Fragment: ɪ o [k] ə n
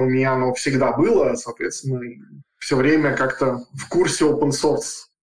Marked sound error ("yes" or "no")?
yes